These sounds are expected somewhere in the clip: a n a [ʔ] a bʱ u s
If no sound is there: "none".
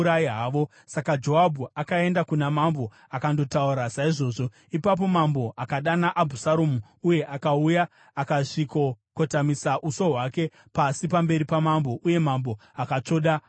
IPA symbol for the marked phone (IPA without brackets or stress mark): ʔ